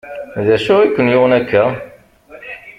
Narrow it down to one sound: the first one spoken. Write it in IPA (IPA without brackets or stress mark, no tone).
ð